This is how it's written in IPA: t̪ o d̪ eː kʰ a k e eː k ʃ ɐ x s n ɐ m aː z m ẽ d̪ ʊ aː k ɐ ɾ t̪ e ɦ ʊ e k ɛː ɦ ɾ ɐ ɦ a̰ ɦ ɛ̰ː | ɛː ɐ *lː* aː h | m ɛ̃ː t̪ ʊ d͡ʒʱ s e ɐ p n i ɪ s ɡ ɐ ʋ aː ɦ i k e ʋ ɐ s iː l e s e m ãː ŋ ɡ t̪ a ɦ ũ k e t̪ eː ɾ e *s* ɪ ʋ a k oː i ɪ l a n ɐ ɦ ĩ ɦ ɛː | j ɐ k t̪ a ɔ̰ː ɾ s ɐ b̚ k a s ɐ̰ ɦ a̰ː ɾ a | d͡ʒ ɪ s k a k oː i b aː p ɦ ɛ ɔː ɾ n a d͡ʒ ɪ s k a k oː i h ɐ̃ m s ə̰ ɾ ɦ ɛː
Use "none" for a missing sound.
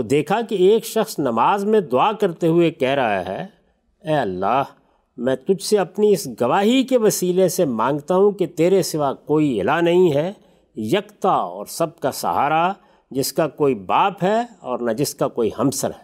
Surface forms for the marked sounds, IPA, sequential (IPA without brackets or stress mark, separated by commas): lː, s